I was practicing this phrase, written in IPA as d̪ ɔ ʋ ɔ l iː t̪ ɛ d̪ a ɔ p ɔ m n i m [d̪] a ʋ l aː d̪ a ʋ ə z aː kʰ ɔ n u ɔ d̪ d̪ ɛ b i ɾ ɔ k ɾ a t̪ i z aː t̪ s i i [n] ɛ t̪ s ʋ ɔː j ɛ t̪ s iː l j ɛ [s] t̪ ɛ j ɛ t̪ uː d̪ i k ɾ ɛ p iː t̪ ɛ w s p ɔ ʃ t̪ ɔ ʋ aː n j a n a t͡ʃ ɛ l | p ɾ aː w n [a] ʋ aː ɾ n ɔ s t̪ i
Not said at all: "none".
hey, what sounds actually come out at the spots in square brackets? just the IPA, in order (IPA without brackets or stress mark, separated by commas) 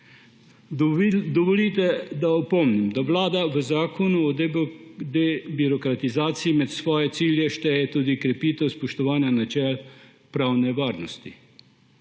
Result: d̪, m, ʃ, ɛ